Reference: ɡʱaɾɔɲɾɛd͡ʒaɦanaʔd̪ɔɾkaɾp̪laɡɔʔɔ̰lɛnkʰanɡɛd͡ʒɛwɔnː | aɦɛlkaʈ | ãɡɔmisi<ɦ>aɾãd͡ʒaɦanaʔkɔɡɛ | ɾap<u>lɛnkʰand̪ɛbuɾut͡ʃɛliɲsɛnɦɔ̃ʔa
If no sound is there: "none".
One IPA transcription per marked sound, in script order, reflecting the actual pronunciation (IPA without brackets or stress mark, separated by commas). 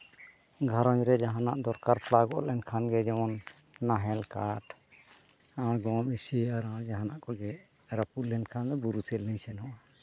none, u